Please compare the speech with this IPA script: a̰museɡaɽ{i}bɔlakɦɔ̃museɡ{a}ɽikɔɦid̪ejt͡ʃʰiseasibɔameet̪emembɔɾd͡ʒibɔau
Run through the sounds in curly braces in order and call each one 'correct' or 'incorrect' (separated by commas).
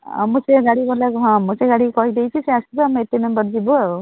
correct, correct